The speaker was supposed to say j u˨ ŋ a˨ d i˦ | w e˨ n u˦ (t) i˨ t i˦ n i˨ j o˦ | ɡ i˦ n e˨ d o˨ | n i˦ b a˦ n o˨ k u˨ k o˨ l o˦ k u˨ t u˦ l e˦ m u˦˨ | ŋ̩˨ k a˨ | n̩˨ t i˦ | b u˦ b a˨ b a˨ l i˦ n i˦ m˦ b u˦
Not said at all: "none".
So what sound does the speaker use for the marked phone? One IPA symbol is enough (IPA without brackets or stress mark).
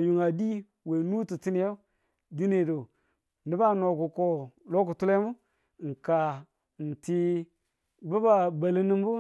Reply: t